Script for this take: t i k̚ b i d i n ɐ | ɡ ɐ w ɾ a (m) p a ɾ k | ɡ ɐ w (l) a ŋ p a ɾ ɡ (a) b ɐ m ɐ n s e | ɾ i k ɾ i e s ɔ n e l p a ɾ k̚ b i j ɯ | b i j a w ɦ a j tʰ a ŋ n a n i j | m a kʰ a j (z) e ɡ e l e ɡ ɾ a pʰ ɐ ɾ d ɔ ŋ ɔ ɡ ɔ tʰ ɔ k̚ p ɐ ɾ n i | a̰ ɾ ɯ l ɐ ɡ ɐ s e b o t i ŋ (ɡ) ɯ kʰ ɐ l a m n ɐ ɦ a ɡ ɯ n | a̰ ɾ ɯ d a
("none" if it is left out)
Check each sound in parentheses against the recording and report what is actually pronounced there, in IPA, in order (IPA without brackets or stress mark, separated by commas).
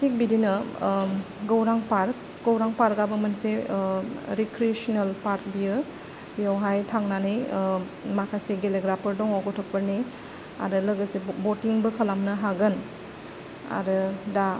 ŋ, ɾ, a, s, b